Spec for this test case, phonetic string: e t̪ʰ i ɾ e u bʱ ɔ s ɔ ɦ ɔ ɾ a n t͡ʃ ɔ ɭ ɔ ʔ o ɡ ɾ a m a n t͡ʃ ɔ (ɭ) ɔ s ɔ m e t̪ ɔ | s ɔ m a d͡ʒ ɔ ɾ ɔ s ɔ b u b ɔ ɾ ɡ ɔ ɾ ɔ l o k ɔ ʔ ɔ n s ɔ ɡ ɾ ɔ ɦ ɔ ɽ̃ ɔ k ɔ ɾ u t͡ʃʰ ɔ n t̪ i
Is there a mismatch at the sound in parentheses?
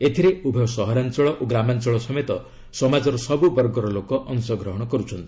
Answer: no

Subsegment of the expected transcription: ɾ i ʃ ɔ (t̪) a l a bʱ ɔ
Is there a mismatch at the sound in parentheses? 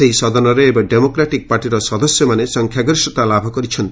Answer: no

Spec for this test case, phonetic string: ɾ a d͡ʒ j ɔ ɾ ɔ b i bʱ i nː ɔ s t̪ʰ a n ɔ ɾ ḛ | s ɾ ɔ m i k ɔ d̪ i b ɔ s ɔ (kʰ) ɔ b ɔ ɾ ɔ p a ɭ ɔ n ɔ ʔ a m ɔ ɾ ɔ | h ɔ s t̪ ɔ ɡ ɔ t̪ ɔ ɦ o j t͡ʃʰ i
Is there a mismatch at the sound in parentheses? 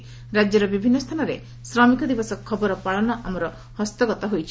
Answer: no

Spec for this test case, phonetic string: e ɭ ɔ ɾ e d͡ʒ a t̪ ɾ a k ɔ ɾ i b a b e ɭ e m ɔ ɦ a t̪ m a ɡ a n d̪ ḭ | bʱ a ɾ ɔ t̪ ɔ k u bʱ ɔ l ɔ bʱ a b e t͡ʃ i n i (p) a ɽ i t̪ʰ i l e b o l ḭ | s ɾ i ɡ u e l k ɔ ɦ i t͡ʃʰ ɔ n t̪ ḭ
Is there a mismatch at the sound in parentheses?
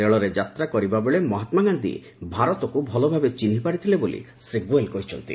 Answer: no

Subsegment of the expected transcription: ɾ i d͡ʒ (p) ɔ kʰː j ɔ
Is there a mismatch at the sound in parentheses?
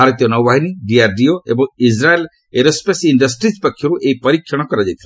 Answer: no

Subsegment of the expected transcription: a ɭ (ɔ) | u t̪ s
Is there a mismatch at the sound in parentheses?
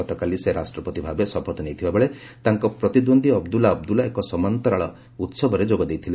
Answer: no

